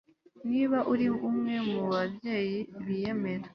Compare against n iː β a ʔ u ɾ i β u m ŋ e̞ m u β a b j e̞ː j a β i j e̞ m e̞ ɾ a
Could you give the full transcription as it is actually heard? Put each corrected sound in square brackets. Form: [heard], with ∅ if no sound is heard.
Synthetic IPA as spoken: n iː β a ʔ u ɾ i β u m ŋ e̞ m u β a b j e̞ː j [i] β i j e̞ m e̞ ɾ a